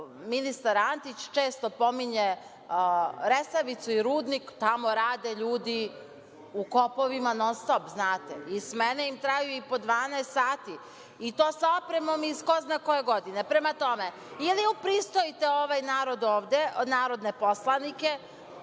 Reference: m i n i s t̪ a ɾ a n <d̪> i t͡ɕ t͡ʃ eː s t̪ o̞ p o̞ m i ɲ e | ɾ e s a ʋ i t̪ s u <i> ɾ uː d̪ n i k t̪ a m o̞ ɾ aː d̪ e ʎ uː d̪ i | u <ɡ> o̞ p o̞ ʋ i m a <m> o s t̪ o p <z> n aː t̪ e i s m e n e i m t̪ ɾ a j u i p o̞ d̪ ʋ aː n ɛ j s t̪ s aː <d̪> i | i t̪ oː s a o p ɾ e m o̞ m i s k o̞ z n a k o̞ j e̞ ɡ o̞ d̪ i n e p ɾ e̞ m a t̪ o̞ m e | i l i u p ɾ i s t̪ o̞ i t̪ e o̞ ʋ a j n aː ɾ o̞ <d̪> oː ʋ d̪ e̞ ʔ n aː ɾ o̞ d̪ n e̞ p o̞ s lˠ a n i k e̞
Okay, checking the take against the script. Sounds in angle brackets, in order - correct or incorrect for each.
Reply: incorrect, correct, incorrect, incorrect, correct, incorrect, correct

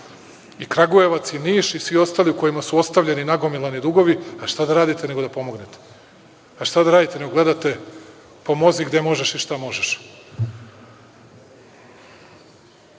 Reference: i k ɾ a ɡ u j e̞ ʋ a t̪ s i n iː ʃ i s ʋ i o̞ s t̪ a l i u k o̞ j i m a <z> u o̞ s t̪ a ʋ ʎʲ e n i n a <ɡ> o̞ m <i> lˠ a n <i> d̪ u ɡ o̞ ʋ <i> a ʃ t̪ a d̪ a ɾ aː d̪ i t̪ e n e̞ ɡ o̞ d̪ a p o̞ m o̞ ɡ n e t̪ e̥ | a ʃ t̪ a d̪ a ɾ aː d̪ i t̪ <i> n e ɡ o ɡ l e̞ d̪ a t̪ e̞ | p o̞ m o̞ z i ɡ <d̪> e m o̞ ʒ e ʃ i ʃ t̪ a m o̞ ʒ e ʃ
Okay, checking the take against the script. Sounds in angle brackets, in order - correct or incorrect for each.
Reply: incorrect, correct, correct, correct, correct, incorrect, correct

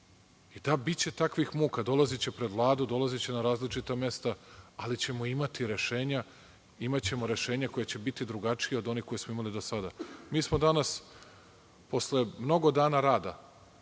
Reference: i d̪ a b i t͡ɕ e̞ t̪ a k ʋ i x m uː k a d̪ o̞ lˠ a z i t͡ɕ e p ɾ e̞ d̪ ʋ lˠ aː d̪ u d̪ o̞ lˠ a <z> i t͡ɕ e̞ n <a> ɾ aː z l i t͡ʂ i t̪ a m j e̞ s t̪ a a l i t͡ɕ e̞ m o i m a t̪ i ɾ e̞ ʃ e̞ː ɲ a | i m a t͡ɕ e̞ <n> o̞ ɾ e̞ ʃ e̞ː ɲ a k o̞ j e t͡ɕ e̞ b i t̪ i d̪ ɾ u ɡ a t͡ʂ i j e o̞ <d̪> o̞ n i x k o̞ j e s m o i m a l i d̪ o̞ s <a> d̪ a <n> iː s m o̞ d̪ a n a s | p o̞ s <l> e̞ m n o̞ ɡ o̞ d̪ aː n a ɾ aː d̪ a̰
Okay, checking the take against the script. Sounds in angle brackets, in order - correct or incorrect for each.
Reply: correct, correct, incorrect, correct, correct, incorrect, correct

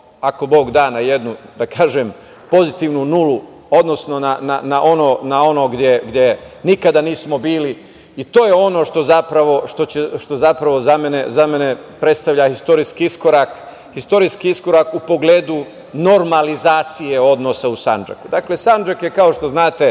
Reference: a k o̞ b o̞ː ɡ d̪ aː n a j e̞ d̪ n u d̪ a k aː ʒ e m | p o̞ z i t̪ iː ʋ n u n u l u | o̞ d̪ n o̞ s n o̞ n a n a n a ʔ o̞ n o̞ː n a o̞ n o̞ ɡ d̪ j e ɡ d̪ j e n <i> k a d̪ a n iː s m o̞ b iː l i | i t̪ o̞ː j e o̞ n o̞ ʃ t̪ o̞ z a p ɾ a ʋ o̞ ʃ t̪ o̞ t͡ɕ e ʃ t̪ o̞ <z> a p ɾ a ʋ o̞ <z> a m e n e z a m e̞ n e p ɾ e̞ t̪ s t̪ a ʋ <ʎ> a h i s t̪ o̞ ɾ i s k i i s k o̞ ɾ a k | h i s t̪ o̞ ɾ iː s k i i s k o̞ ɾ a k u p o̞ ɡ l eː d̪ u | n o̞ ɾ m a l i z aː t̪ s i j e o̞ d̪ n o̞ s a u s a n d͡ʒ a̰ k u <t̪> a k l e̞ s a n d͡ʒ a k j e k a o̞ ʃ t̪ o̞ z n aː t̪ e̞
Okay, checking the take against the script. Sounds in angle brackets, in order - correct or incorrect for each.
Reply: correct, correct, correct, correct, incorrect

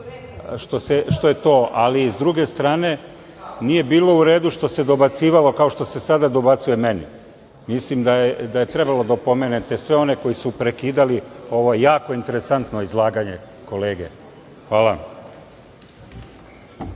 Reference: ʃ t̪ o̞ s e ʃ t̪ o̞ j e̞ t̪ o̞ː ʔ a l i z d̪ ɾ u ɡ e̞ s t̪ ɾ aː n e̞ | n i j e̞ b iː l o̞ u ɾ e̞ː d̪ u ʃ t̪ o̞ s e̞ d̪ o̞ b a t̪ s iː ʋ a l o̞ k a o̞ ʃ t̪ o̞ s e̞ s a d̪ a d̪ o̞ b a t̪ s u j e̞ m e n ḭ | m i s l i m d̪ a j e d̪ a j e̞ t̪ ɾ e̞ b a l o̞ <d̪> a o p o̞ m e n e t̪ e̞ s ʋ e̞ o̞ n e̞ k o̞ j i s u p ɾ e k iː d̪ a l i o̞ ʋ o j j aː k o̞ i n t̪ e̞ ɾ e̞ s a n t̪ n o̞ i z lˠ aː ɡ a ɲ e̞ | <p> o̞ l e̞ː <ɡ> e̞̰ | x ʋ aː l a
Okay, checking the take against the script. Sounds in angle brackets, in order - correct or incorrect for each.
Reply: correct, incorrect, correct

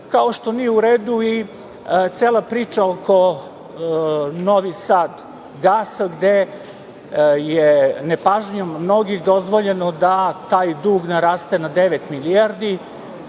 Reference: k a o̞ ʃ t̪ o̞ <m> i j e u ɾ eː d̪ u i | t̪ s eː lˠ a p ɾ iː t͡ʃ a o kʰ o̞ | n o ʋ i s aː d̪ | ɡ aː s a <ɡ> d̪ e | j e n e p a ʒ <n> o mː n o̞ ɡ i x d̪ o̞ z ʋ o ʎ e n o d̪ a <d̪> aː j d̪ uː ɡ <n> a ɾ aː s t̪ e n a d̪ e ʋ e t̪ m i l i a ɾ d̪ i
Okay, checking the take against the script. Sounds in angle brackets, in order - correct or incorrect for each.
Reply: incorrect, correct, incorrect, incorrect, correct

